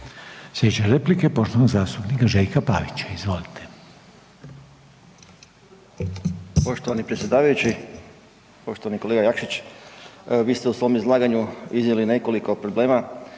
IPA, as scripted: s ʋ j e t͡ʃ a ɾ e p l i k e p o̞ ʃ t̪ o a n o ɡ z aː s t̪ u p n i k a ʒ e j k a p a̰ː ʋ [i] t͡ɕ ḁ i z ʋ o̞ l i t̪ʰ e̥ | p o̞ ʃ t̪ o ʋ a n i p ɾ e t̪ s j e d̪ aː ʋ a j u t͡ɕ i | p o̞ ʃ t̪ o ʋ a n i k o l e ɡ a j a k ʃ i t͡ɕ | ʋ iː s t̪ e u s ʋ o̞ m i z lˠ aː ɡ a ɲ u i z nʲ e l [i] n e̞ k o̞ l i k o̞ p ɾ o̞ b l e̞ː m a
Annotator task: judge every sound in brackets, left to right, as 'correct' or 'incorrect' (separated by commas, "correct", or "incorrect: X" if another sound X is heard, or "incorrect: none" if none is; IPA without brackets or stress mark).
correct, correct